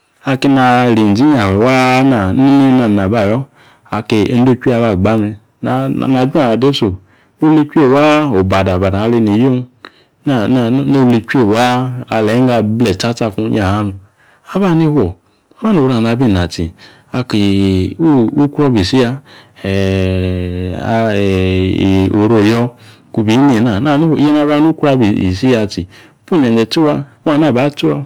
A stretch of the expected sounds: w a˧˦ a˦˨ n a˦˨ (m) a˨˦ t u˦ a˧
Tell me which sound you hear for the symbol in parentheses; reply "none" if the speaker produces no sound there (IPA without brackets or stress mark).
b